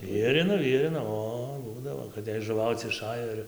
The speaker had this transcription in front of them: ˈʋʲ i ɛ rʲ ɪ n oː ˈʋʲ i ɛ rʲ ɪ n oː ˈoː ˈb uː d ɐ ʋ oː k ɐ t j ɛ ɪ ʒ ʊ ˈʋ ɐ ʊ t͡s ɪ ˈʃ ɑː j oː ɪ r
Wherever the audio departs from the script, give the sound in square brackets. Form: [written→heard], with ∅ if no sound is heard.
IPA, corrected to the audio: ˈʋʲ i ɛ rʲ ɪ n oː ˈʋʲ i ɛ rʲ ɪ n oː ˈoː ˈb uː d ɐ ʋ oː k ɐ t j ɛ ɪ ʒ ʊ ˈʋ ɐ ʊ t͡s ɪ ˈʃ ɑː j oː ɪ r